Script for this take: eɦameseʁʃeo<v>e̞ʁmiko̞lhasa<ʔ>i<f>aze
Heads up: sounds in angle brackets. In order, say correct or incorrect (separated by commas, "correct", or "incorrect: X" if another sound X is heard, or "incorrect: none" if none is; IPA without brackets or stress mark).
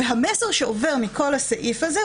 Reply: correct, correct, correct